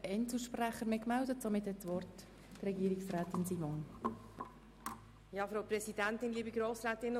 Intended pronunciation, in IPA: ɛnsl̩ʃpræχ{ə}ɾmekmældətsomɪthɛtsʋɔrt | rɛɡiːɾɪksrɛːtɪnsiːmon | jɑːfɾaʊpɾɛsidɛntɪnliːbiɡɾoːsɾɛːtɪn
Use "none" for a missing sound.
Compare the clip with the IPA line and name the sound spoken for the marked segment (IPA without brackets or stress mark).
ə